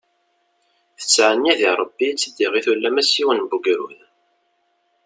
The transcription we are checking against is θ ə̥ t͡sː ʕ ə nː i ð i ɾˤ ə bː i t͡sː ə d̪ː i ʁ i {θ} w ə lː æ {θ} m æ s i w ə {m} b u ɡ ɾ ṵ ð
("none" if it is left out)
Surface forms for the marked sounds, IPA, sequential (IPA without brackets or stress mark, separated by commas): θ, none, n